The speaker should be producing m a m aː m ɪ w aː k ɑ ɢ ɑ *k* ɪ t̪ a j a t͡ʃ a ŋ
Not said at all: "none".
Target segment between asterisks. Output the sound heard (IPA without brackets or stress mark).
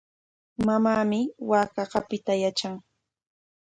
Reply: p